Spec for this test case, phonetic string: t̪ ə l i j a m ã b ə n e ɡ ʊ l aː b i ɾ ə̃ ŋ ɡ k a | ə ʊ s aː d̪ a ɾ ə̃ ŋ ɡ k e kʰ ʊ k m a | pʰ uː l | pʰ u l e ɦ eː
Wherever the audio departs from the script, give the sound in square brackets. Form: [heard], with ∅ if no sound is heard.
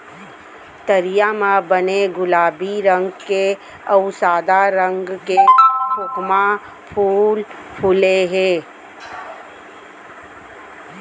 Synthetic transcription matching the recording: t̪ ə [ɾ] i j a m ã b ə n e ɡ ʊ l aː b i ɾ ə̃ ŋ ɡ k [e] | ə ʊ s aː d̪ a ɾ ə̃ ŋ ɡ k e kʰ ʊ k m a | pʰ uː l | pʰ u l e ɦ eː